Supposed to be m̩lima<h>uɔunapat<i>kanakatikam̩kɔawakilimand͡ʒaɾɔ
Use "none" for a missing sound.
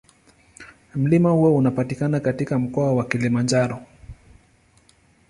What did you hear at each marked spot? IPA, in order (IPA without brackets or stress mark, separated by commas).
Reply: h, i